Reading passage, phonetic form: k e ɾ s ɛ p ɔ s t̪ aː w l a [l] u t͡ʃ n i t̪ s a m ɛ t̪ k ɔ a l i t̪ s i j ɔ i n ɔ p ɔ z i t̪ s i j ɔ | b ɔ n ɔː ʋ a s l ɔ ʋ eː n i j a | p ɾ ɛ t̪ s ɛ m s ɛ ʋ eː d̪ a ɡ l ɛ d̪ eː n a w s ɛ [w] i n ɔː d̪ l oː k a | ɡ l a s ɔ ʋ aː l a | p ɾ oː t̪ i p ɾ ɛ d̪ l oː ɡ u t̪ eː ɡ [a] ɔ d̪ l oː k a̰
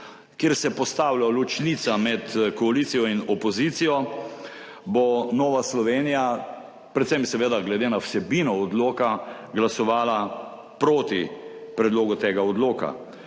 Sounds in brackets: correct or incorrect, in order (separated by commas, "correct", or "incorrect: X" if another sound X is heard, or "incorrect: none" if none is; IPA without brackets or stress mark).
correct, incorrect: b, correct